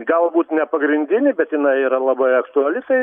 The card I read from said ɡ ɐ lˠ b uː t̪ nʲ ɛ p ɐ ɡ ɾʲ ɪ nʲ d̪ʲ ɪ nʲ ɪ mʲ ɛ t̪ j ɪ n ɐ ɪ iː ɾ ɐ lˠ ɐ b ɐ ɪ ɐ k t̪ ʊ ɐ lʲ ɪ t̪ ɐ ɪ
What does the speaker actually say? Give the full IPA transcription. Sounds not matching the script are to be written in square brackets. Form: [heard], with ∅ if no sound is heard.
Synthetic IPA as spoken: ɡ ɐ lˠ b uː t̪ nʲ ɛ p ɐ ɡ ɾʲ ɪ nʲ d̪ʲ ɪ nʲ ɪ [bʲ] ɛ t̪ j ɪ n ɐ ɪ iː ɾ ɐ lˠ ɐ b ɐ ɪ ɐ k t̪ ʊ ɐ lʲ ɪ t̪ ɐ ɪ